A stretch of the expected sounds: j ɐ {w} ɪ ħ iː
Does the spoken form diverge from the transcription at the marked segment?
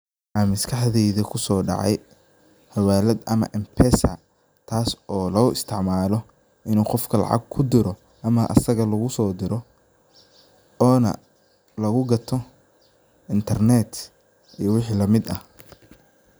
no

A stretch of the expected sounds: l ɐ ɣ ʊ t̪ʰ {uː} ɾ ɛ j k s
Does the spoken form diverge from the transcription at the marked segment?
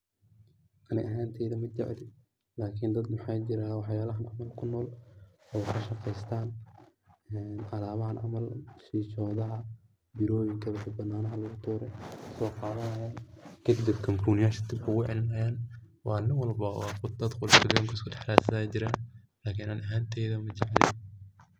no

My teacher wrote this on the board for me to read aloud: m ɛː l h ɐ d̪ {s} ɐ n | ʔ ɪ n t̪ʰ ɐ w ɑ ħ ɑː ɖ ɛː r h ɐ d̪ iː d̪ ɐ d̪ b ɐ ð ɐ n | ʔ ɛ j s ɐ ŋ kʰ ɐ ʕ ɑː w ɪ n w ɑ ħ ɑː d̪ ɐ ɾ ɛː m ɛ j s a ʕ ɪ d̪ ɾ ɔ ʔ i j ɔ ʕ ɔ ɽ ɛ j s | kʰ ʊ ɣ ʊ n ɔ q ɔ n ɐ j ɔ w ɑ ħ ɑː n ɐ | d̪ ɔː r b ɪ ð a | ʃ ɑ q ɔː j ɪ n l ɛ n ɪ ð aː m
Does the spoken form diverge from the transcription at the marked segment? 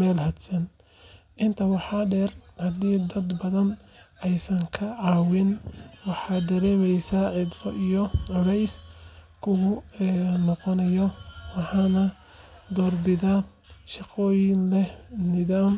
no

